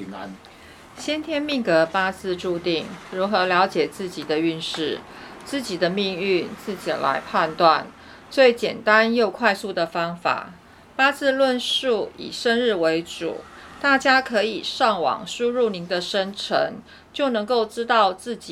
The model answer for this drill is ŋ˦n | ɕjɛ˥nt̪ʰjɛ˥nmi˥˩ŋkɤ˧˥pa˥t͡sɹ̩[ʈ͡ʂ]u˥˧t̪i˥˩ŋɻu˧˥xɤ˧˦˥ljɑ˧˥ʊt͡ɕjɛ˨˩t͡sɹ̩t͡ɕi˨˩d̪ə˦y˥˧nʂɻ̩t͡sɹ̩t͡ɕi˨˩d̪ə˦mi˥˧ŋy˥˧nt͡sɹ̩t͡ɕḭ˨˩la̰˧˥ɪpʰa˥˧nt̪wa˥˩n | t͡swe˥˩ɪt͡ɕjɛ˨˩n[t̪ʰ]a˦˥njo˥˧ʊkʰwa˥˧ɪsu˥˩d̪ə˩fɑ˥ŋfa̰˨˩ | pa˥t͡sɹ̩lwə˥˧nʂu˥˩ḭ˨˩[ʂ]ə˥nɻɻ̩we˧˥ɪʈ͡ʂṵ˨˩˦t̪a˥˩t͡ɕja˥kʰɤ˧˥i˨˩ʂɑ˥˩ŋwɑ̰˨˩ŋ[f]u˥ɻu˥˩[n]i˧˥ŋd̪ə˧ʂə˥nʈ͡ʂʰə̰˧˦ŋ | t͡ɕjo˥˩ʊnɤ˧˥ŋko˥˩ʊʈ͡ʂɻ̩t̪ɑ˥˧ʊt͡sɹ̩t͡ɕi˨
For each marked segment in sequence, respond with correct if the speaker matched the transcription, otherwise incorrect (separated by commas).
correct, incorrect, correct, incorrect, correct